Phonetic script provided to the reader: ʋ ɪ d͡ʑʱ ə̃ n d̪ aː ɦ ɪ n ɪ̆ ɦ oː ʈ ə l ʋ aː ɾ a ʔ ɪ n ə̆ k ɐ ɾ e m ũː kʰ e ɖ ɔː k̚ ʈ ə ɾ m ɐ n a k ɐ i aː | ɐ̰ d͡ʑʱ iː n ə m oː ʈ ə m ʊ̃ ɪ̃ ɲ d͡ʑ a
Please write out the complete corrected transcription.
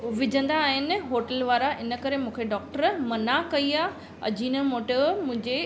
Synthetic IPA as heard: ʋ ɪ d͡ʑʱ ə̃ n d̪ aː ɦ ɪ n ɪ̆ ɦ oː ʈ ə l ʋ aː ɾ a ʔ ɪ n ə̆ k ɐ ɾ e m ũː kʰ e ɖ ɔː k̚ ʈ ə ɾ m ɐ n a k ɐ i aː | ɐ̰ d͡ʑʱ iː n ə m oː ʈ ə m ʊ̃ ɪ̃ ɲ d͡ʑ e